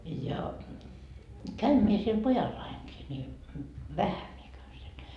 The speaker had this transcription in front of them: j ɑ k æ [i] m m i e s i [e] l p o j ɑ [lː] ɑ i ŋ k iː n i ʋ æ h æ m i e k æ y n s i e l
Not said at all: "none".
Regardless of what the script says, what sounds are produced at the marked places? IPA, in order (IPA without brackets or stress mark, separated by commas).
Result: y, e, lː